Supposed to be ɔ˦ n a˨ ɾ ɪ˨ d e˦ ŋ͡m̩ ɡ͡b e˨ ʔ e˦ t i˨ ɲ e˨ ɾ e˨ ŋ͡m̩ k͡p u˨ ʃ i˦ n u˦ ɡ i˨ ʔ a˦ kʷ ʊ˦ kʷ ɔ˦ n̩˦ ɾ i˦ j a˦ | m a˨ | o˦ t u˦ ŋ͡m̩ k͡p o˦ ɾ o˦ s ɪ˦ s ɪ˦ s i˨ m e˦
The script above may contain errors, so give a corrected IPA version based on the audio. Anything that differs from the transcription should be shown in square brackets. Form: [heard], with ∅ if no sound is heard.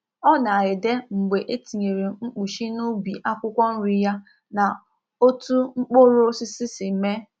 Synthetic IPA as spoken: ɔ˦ n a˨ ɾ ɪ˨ d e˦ ŋ͡m̩ ɡ͡b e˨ ʔ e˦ t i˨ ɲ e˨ ɾ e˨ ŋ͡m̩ k͡p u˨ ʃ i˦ n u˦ [b] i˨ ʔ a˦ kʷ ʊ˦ kʷ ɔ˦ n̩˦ ɾ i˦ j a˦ | [n] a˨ | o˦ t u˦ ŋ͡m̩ k͡p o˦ ɾ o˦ s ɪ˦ s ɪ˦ s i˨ m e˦